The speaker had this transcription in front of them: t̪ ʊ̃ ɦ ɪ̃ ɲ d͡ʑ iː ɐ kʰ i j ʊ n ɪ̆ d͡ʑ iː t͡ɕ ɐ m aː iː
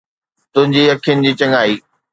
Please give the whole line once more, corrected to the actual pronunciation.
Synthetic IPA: t̪ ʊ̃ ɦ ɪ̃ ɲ d͡ʑ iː ɐ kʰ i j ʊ n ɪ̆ d͡ʑ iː t͡ɕ ɐ ŋ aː iː